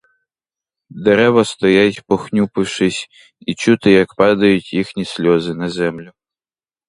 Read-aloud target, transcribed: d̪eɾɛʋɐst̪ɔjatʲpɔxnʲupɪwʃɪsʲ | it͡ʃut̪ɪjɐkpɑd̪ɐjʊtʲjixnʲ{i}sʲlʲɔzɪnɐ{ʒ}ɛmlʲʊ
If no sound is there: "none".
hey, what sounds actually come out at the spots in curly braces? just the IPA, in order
i, z

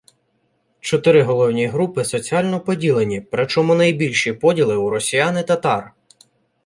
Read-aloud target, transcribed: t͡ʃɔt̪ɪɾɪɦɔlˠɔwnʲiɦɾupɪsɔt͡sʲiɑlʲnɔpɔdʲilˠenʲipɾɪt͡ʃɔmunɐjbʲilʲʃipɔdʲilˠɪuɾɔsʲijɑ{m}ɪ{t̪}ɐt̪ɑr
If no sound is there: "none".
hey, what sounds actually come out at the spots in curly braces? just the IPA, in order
n, t̪

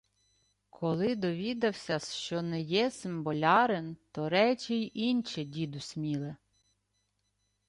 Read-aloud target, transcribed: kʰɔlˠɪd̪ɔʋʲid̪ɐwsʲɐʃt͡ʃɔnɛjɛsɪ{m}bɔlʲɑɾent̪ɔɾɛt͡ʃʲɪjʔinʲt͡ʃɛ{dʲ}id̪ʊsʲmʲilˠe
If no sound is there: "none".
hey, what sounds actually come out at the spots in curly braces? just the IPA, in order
m, dʲ

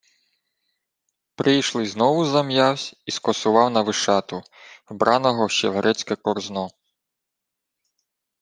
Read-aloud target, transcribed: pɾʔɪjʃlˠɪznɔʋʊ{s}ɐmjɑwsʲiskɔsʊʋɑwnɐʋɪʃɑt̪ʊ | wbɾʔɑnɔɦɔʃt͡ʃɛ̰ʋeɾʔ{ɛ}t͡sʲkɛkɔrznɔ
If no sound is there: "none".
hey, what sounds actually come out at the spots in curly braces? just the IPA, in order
z, ɛ

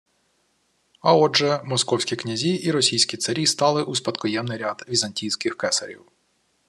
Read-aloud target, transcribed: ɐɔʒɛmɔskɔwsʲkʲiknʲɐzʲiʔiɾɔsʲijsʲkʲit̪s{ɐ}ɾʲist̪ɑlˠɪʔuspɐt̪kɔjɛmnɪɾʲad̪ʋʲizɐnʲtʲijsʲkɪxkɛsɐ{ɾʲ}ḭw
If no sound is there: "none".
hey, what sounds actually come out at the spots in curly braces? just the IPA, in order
ɐ, ɾʲ

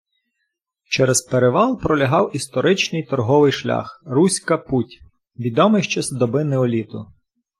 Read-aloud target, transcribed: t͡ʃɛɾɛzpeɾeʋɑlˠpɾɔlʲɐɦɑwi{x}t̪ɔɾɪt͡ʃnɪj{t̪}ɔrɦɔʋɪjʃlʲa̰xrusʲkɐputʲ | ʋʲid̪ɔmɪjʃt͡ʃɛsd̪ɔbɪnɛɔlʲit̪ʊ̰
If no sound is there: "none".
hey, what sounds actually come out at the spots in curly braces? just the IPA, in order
s, t̪

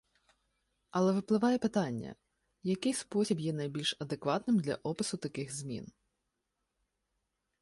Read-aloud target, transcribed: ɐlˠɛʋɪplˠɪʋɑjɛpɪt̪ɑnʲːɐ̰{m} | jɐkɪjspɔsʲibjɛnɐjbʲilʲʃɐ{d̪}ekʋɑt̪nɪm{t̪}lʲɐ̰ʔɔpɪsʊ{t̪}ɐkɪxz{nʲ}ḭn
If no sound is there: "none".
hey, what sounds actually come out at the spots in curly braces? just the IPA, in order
none, d̪, d̪, t̪, mʲ

